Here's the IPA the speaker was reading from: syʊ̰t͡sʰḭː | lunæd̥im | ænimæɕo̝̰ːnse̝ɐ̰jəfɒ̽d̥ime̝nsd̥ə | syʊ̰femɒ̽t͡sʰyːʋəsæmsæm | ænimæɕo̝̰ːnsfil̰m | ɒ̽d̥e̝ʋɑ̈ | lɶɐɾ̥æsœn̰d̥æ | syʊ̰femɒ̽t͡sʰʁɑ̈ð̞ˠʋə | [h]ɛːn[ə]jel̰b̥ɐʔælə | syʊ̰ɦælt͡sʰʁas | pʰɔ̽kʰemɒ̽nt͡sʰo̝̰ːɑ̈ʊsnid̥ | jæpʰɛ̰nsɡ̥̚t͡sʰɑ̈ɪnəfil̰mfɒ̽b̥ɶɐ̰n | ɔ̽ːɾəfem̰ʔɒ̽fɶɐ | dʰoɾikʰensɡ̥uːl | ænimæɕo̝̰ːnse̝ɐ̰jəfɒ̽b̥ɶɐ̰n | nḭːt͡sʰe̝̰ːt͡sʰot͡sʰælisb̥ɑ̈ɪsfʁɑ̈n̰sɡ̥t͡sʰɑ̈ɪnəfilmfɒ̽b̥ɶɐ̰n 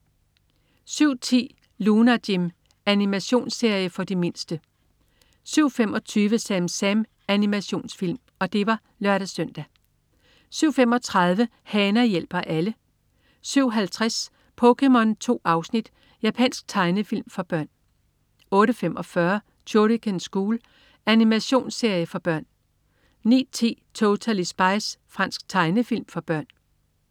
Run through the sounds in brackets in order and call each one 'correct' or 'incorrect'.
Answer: correct, incorrect

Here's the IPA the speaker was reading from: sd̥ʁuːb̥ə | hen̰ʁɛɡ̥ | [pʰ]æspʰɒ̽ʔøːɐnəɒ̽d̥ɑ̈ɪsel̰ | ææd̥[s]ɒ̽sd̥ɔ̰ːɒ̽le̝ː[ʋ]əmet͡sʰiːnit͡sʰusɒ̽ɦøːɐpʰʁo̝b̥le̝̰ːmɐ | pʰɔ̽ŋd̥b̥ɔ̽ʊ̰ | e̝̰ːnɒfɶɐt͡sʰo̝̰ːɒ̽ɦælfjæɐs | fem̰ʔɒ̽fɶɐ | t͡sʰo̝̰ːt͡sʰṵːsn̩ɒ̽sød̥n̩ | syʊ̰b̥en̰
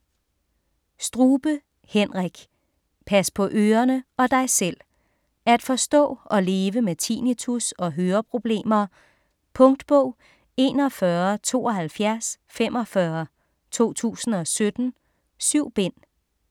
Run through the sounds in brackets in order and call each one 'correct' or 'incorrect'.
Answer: correct, incorrect, correct

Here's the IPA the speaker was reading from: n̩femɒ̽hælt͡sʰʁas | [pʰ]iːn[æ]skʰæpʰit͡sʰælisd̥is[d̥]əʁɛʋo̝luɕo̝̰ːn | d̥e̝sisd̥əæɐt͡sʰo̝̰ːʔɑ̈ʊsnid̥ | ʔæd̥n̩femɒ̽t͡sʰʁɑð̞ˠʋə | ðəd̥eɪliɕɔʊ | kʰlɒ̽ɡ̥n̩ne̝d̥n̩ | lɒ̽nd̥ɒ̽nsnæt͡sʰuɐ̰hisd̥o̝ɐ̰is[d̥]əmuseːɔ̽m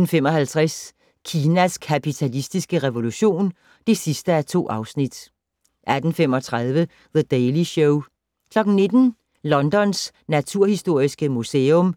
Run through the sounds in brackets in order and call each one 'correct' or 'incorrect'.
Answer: incorrect, correct, incorrect, incorrect

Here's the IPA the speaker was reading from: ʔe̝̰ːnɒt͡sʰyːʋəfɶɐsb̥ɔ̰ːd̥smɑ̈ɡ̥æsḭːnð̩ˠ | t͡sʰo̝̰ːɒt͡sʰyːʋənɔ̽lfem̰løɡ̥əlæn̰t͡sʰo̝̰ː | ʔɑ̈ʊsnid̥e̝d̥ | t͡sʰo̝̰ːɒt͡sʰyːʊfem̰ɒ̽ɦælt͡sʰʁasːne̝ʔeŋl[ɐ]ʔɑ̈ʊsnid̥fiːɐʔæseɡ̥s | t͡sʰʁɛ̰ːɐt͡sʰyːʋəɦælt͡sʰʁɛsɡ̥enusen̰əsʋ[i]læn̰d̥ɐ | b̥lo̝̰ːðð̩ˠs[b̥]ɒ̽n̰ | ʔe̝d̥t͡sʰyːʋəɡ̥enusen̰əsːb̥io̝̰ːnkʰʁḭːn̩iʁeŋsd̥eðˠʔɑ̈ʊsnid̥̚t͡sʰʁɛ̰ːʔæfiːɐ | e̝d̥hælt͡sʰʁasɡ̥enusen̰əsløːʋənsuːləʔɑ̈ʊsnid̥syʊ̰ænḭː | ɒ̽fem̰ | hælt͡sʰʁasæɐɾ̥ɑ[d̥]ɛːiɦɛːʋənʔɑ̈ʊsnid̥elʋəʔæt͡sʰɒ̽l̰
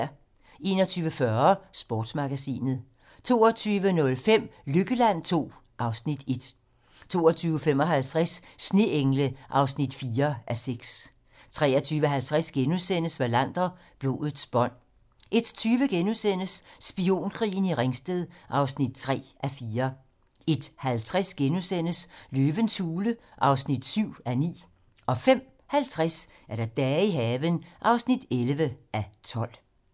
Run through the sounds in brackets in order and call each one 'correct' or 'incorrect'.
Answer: incorrect, incorrect, correct, correct

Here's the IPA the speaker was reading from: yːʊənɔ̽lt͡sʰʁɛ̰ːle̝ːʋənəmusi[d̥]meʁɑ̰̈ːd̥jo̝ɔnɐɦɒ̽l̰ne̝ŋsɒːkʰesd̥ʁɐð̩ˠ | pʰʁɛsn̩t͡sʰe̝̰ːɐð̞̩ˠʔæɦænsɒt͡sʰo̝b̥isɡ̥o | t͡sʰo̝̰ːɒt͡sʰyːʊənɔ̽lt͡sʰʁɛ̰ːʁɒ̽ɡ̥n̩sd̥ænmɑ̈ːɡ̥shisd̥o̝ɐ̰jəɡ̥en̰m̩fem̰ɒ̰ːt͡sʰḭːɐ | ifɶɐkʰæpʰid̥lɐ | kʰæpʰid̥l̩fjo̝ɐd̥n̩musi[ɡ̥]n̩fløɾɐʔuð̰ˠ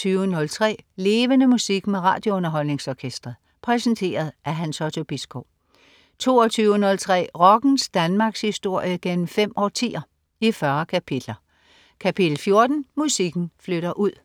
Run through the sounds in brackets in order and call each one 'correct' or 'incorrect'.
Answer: incorrect, correct

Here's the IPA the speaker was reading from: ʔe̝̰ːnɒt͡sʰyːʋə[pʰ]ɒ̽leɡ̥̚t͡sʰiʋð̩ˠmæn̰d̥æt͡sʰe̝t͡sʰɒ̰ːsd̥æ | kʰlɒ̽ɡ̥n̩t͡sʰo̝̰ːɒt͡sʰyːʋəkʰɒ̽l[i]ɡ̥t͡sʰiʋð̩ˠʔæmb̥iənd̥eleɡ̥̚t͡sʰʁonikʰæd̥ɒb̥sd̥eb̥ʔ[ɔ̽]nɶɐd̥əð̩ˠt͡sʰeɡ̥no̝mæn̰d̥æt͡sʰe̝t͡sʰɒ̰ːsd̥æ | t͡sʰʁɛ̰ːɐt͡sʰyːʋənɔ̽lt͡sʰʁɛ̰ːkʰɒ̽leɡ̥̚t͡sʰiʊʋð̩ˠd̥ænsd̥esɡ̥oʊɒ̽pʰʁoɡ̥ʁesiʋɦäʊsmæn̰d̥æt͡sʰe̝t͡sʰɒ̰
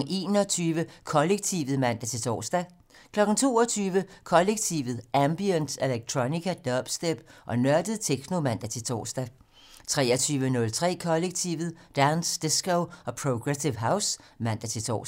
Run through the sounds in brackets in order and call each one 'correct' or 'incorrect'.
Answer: incorrect, incorrect, incorrect

